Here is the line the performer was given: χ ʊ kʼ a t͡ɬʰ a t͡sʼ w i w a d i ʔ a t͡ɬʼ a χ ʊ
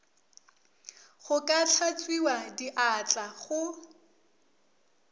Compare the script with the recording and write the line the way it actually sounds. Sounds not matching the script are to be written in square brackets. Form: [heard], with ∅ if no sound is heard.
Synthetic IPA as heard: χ ʊ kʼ a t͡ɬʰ a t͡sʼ w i w a d i ʔ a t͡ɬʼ a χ ʊ